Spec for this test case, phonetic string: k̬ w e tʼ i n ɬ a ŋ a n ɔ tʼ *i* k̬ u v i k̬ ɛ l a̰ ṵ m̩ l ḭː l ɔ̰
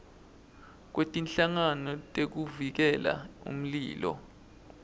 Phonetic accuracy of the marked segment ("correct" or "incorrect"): incorrect